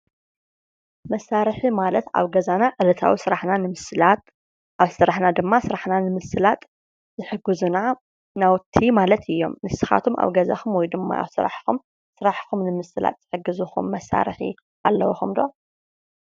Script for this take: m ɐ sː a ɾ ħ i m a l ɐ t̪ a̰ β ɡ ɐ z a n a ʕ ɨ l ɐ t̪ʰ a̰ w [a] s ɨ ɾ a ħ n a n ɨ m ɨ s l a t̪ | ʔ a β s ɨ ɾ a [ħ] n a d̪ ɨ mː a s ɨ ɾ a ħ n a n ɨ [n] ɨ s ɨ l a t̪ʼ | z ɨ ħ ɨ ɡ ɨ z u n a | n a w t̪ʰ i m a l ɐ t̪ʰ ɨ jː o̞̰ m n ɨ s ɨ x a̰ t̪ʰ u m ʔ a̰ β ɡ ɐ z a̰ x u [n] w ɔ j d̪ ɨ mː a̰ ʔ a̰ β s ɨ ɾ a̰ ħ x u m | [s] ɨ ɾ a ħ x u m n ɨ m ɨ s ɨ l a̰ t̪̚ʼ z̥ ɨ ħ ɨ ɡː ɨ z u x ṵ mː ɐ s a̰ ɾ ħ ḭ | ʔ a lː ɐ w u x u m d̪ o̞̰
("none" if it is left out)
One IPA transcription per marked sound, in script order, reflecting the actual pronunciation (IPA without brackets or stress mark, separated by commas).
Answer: i, ħ, m, m, s